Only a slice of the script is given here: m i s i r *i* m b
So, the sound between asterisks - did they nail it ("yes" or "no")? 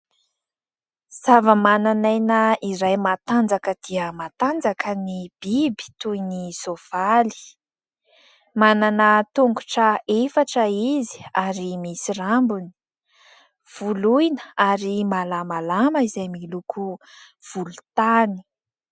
no